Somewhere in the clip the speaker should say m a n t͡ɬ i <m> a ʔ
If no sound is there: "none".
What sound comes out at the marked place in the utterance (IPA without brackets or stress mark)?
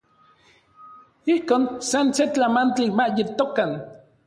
m